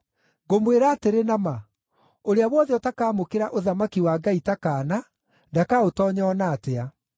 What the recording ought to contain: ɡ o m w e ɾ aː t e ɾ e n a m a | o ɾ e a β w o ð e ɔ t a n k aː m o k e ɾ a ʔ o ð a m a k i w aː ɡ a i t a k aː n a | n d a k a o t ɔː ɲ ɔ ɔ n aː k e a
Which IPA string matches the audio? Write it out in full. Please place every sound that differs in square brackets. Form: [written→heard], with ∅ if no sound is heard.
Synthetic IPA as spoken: ɡ o m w e ɾ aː t e ɾ e n a m a | o ɾ e a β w [o→ɔ] ð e ɔ t a [n→∅] k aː m o k e ɾ a ʔ o ð a m a k i w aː ɡ a i t a k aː n a | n d a k a o t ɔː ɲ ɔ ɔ n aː [k→t] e a